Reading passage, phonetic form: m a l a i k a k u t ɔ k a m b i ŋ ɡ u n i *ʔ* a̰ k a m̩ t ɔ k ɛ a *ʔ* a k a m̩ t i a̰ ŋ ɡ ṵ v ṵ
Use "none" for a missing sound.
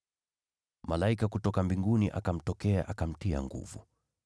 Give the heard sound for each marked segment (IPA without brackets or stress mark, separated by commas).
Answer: ʔ, ʔ